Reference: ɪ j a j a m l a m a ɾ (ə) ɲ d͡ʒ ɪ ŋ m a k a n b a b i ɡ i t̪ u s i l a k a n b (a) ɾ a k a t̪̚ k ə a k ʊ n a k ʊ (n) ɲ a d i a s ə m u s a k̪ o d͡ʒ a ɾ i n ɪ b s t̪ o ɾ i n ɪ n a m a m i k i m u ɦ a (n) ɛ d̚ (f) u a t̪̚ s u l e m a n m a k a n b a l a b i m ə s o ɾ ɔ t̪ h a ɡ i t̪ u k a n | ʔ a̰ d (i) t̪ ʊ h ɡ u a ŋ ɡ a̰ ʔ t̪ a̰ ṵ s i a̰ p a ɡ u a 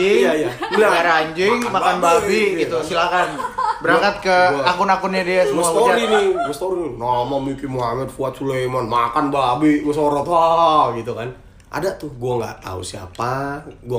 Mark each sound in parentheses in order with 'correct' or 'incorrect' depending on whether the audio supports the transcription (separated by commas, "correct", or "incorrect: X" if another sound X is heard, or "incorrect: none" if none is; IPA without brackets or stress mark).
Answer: incorrect: a, incorrect: ə, correct, incorrect: m, correct, incorrect: a